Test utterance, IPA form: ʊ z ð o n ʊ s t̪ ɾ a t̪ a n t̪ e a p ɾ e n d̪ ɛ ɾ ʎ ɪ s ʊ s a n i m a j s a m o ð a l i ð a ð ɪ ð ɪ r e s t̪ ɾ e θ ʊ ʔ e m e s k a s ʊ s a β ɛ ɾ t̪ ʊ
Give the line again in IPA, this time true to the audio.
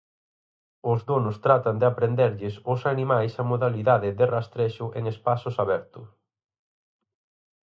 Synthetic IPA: ʊ z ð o n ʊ s t̪ ɾ a t̪ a n d̪ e a p ɾ e n d̪ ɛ ɾ ʎ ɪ s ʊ s a n i m a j s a m o ð a l i ð a ð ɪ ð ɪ r a s t̪ ɾ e ʃ ʊ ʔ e ŋ e s p a s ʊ s a β ɛ ɾ t̪ ʊ